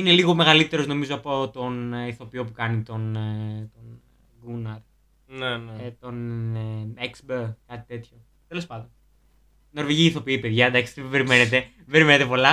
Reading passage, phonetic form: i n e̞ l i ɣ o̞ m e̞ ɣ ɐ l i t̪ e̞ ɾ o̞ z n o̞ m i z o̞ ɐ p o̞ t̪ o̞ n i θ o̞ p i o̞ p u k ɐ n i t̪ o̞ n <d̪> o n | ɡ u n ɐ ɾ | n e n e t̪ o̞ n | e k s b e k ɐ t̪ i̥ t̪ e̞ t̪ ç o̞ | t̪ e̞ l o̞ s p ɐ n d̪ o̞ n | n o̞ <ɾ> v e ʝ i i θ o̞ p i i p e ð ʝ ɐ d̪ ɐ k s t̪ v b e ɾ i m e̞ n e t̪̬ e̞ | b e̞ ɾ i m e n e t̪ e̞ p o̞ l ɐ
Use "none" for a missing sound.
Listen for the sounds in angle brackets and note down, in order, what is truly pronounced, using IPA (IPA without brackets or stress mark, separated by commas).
t̪, ɾ